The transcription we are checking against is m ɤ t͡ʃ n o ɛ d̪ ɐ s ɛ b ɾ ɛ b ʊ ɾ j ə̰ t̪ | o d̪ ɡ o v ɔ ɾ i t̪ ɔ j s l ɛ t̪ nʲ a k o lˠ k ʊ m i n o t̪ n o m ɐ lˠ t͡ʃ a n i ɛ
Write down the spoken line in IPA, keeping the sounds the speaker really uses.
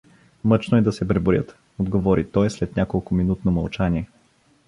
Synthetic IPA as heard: m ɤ t͡ʃ n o ɛ d̪ ɐ s ɛ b ɾ ɛ b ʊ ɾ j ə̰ t̪ | o d̪ ɡ o v ɔ ɾ i t̪ ɔ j s l ɛ t̪ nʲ a k o lˠ k ʊ m i n u t̪ n o m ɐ lˠ t͡ʃ a n i ɛ

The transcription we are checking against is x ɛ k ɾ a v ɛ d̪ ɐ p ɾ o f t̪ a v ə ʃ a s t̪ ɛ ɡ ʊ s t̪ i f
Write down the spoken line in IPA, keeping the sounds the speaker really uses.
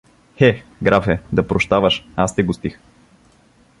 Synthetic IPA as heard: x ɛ ɡ ɾ a f ɛ d̪ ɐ p ɾ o ʃ t̪ a v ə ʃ a s t̪ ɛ ɡ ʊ s t̪ i x

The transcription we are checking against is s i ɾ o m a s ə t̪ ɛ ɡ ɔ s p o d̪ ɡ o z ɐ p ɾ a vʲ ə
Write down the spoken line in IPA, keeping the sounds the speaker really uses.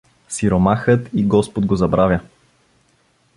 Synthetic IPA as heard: s i ɾ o m a x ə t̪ i ɡ ɔ s p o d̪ ɡ o z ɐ b ɾ a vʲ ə

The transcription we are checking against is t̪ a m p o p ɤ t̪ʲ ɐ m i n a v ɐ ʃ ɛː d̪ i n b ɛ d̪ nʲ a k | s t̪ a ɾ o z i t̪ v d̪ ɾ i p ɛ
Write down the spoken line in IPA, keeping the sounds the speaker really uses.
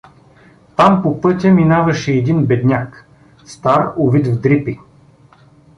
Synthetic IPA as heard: t̪ a m p o p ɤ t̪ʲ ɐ m i n a v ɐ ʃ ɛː d̪ i n b ɛ d̪ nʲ a k | s t̪ a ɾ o v i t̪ v d̪ ɾ i p i

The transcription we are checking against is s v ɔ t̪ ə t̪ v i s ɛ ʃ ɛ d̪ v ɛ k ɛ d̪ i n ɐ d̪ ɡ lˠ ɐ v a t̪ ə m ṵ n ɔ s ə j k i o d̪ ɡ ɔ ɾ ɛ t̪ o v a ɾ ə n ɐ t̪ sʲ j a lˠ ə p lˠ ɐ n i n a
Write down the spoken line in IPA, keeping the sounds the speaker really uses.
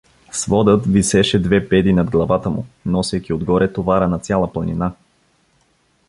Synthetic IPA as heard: s v ɔ d̪ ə t̪ v i s ɛ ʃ ɛ d̪ v ɛ p ɛ d̪ i n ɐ d̪ ɡ lˠ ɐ v a t̪ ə m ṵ n ɔ s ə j k i o d̪ ɡ ɔ ɾ ɛ t̪ o v a ɾ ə n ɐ t̪ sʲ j a lˠ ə p lˠ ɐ n i n a

